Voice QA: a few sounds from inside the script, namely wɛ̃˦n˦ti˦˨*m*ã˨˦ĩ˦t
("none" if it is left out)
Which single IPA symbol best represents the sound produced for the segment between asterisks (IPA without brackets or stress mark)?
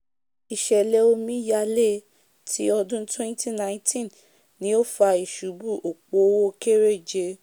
n